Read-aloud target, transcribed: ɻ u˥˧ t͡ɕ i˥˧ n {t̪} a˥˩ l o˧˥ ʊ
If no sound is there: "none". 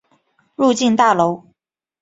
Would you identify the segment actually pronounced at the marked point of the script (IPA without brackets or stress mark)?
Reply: t̪